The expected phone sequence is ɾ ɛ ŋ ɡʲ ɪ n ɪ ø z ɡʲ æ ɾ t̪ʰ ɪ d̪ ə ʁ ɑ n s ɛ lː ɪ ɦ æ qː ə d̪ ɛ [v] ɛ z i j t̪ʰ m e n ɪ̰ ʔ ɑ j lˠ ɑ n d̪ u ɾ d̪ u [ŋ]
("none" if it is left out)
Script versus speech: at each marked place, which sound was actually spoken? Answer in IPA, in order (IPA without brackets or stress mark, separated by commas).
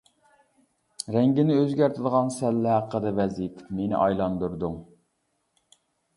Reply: v, ŋ